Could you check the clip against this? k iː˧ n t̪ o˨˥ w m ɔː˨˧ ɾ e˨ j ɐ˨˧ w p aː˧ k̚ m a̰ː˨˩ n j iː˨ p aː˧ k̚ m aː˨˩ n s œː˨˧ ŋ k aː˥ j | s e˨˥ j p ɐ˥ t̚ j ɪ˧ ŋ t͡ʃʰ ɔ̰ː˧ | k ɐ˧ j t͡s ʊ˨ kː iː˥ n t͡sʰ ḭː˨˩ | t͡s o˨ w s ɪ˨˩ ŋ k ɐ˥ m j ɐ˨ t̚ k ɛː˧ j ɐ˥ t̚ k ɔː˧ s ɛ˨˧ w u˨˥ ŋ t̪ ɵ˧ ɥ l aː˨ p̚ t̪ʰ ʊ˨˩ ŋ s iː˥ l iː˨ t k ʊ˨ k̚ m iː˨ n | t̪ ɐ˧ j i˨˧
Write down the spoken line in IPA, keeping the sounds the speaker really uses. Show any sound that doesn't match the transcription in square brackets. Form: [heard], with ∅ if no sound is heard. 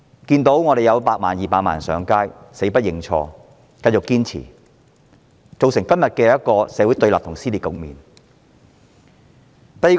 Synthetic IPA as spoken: k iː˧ n t̪ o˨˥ w [ŋ] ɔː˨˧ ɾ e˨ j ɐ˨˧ w p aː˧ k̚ m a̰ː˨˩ n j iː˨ p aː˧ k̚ m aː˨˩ n s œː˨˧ ŋ k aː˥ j | s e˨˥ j p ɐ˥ t̚ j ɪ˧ ŋ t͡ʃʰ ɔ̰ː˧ | k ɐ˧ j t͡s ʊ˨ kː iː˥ n t͡sʰ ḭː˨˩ | t͡s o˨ w s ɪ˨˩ ŋ k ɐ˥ m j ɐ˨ t̚ k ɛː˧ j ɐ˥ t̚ k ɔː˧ s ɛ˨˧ w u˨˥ [∅] t̪ ɵ˧ ɥ l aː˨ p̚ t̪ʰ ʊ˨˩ ŋ s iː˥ l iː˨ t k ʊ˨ k̚ m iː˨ n | t̪ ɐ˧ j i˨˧